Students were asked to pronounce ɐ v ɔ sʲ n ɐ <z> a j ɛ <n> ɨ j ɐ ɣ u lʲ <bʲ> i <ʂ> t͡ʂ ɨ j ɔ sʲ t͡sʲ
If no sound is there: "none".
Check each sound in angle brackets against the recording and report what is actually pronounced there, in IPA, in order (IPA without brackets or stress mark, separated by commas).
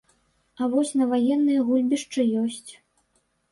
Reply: v, nː, bʲ, ʂ